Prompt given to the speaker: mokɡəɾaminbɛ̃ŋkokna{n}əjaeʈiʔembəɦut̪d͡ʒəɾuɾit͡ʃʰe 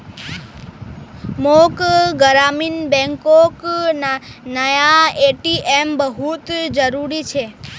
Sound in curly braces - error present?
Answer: no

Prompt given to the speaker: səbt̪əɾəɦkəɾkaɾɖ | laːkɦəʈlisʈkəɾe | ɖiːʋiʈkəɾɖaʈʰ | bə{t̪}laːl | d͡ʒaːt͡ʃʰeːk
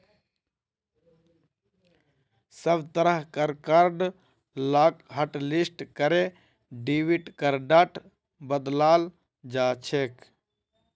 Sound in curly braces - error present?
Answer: yes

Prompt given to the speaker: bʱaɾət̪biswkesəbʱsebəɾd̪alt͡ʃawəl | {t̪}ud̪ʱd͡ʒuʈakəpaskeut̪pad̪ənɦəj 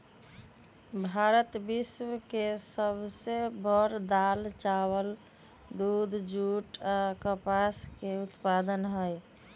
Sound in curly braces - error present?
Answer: yes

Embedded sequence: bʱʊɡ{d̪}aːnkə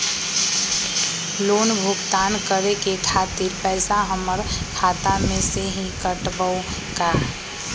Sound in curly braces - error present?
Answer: yes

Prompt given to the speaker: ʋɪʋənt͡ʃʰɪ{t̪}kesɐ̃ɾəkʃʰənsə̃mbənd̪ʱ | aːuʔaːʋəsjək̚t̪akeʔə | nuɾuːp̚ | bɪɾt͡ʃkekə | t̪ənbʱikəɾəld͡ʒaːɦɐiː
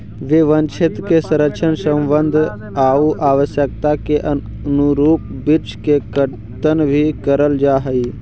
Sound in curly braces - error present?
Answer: no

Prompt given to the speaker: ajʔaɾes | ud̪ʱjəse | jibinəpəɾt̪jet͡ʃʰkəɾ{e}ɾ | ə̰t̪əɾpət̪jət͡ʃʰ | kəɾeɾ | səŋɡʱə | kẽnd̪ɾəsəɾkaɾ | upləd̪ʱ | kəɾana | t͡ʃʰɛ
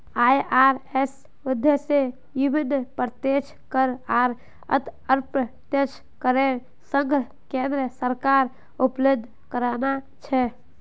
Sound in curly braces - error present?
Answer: yes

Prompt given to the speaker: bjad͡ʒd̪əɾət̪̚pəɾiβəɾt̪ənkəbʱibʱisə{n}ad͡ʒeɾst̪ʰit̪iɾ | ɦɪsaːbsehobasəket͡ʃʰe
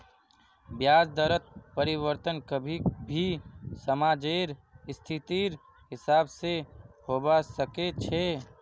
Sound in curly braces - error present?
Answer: yes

